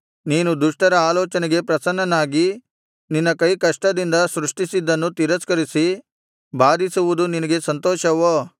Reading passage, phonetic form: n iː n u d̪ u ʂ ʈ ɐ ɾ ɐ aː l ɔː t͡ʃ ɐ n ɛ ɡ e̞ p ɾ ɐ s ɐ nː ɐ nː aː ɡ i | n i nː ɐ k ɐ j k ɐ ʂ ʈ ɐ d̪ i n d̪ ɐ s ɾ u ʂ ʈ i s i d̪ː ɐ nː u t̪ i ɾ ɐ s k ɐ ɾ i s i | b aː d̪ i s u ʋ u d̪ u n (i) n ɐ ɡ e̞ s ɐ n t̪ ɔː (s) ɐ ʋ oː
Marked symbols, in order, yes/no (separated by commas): yes, no